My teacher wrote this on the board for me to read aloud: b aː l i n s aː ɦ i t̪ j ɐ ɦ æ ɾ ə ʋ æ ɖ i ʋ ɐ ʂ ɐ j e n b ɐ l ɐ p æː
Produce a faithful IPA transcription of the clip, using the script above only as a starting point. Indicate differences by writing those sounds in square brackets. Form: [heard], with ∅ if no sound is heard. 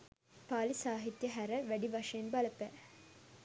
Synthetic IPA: [p] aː l i [∅] s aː ɦ i t̪ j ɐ ɦ æ ɾ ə ʋ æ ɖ i ʋ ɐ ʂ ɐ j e n b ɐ l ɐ p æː